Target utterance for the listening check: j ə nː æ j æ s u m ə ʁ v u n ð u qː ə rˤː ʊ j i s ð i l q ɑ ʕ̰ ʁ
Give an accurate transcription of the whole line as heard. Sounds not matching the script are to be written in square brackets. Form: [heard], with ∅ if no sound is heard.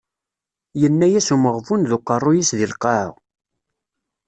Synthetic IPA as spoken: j ə nː æ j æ s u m ə ʁ v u n ð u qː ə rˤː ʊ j i s ð i l q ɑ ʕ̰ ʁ